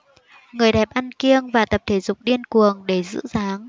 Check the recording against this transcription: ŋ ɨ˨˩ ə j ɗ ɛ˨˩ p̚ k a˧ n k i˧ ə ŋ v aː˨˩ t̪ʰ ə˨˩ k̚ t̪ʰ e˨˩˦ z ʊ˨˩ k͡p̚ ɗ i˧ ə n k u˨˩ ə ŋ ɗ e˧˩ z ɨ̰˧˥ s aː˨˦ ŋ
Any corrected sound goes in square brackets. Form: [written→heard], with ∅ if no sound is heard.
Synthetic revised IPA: ŋ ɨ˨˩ ə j ɗ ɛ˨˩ p̚ [k→ʔ] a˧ n k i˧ ə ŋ v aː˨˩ [t̪ʰ→t̪] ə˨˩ [k̚→p̚] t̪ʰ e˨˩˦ z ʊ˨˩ k͡p̚ ɗ i˧ ə n k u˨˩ ə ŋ ɗ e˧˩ z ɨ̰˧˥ [s→z] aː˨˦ ŋ